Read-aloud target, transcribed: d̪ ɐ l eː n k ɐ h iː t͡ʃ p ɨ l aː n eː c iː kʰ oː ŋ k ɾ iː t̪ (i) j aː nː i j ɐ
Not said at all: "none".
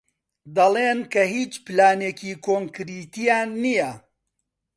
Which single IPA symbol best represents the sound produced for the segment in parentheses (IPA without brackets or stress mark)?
i